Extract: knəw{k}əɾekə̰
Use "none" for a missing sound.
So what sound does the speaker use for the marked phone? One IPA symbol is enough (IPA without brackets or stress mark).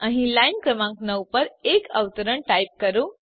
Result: p